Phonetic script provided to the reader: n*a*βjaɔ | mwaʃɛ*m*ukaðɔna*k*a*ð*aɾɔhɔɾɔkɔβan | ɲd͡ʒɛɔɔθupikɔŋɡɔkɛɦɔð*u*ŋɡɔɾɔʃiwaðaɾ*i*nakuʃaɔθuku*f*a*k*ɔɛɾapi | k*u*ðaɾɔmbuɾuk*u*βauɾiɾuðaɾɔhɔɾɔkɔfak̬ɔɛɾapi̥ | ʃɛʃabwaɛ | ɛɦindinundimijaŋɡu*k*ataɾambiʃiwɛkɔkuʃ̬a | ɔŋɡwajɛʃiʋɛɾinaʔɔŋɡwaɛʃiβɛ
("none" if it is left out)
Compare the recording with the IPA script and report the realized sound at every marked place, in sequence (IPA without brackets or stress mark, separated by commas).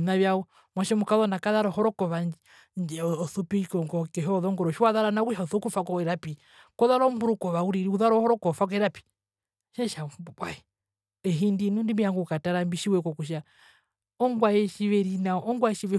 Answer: a, m, k, ð, ɔ, a, f, k, ɔ, ɔ, k